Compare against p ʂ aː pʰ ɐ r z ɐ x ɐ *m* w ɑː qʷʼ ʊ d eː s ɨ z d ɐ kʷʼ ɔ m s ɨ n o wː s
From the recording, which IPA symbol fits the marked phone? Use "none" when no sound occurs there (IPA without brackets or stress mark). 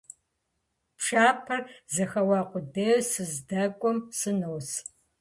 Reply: none